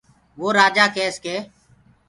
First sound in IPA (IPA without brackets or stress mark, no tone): ʋ